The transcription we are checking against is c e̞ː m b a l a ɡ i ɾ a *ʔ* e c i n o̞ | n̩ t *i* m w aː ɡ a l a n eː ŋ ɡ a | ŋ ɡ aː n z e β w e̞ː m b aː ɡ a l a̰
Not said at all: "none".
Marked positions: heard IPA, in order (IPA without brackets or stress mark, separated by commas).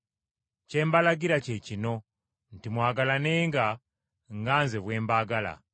c, i